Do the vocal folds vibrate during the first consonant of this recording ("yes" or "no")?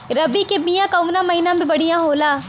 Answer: yes